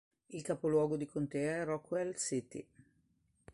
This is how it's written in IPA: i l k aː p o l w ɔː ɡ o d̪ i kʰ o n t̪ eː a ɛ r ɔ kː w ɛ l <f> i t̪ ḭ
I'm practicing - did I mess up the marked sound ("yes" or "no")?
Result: yes